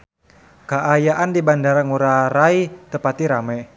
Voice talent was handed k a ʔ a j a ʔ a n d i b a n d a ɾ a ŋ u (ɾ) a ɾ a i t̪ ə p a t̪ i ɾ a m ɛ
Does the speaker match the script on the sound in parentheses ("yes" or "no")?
yes